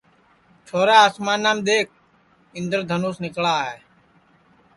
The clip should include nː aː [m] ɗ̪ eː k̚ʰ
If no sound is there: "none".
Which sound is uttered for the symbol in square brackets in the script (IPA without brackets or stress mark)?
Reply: m